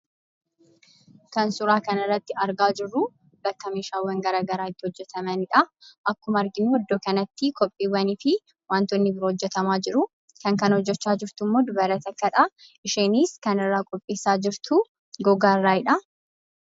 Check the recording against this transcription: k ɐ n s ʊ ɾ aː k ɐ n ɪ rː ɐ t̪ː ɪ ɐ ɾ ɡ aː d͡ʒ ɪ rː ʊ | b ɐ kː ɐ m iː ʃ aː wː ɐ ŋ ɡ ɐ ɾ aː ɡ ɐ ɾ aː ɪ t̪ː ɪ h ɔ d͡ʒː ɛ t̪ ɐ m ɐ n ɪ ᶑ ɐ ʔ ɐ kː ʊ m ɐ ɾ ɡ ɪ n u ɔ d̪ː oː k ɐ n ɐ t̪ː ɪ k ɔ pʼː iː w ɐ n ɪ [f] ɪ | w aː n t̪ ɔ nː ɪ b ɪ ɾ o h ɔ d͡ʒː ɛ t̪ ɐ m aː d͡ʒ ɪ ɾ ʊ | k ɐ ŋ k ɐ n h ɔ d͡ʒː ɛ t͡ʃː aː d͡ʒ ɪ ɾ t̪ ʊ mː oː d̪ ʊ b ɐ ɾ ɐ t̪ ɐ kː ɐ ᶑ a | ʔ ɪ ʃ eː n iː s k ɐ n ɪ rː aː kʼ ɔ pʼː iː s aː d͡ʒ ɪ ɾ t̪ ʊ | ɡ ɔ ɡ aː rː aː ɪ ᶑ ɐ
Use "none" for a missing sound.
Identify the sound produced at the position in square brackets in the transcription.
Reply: f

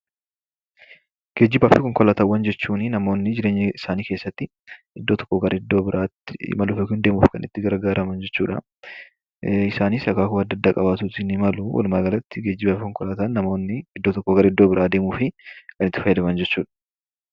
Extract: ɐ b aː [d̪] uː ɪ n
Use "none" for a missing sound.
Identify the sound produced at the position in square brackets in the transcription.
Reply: t̪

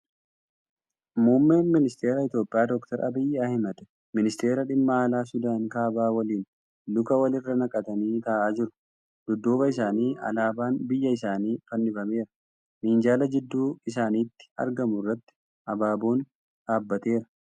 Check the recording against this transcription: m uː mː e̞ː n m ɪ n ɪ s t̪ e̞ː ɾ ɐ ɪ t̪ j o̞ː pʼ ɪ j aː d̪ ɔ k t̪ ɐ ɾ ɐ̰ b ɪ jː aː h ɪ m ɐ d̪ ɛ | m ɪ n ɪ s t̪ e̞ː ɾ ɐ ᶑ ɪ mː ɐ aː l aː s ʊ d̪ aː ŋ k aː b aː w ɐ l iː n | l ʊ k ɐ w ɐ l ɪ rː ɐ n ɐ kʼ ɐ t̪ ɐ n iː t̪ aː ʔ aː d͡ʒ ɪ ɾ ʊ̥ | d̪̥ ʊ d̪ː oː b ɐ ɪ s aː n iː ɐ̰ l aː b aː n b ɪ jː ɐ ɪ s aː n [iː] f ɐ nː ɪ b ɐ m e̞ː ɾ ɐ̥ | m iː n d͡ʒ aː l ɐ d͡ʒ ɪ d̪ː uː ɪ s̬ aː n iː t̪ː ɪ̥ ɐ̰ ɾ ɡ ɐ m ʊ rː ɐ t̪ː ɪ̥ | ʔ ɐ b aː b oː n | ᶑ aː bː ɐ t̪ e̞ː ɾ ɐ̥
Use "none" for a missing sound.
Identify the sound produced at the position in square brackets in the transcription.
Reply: iː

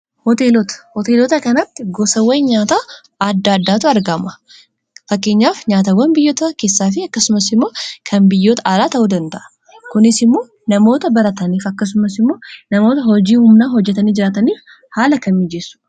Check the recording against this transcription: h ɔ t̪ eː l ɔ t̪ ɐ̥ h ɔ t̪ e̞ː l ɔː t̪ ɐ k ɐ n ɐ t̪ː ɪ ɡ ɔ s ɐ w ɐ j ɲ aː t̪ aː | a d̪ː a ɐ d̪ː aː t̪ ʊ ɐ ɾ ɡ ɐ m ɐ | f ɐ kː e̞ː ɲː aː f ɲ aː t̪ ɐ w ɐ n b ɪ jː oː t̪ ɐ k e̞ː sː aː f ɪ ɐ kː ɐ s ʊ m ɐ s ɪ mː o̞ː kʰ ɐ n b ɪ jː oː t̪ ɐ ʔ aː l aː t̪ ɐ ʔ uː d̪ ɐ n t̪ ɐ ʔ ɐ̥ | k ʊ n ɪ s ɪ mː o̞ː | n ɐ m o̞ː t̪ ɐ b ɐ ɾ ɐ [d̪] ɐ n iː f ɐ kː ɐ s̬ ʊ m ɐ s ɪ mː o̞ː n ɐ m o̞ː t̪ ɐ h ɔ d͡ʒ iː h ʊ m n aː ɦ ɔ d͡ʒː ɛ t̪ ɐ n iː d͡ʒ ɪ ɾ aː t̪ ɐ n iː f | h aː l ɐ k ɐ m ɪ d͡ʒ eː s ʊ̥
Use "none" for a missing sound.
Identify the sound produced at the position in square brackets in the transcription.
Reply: t̪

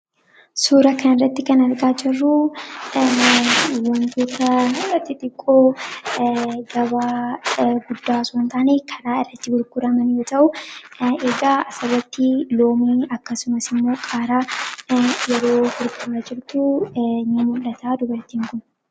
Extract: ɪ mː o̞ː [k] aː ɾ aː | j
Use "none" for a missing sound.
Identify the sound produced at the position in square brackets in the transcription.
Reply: kʼ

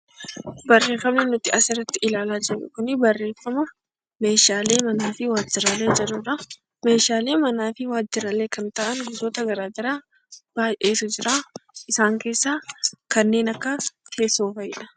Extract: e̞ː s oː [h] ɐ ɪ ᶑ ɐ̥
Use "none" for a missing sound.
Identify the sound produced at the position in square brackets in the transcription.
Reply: f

